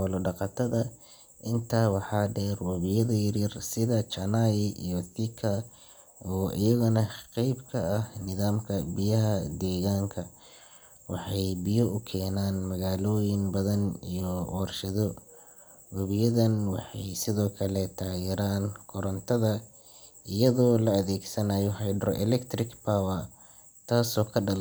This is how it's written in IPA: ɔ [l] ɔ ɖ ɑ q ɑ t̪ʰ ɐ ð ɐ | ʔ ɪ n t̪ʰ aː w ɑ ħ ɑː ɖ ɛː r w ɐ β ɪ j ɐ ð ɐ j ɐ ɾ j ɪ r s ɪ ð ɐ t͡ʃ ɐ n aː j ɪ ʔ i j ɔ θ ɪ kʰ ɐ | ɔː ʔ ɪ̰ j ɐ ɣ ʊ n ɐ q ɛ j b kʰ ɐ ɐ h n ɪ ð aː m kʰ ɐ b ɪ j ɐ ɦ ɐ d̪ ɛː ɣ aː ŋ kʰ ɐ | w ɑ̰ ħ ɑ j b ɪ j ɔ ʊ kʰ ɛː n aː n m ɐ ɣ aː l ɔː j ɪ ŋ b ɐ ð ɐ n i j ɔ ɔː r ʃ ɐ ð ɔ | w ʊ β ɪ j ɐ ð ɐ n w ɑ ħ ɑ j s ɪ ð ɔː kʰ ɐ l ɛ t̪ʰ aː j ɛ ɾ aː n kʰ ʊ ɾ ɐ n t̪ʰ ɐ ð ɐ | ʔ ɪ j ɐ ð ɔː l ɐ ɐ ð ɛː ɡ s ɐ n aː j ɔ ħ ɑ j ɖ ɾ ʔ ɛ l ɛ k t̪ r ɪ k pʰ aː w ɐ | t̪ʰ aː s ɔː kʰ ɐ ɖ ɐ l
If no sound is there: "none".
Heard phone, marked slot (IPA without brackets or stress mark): l